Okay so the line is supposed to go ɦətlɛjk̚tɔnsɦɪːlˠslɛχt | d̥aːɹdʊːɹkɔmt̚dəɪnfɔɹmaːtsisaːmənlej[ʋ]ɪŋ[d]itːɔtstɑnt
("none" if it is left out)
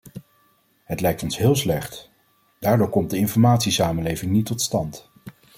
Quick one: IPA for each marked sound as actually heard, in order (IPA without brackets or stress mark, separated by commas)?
v, n